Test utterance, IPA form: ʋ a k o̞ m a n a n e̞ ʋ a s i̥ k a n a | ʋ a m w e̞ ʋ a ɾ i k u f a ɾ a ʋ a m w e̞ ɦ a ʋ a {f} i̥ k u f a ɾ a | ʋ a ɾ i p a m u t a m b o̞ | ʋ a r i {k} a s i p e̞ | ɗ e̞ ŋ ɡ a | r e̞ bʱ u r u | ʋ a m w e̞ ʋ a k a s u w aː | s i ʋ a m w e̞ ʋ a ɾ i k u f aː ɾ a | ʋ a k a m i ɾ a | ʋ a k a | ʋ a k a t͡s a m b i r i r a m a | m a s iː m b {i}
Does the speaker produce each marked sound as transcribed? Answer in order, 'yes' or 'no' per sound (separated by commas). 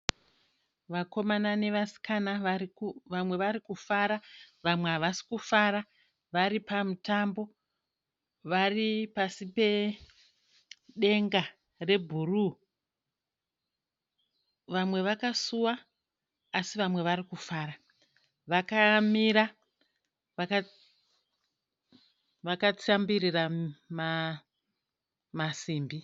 no, no, yes